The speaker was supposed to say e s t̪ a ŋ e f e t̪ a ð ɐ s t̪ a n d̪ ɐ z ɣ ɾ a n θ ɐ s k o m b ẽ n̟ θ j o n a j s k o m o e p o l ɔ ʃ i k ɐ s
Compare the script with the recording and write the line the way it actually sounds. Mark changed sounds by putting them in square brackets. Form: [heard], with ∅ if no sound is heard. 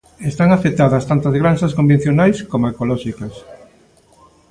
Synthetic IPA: e s t̪ a ŋ [a] f e t̪ a ð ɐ s t̪ a n [t̪] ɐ z ɣ ɾ a n [s] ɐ s k o m b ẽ n̟ θ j o n a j s k o m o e [k] o l ɔ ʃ i k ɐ s